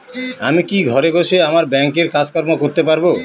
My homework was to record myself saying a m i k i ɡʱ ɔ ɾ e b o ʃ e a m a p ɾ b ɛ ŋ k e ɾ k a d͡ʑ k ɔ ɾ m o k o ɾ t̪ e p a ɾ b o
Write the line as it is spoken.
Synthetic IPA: a m i k i ɡʱ ɔ ɾ e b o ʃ e a m a ɾ b ɛ ŋ k e ɾ k a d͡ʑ k ɔ ɾ m o k o ɾ t̪ e p a ɾ b o